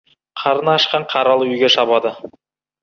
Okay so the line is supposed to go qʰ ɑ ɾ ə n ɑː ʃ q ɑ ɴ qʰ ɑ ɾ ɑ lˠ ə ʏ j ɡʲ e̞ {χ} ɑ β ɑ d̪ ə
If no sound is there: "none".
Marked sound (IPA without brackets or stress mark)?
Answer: ʃ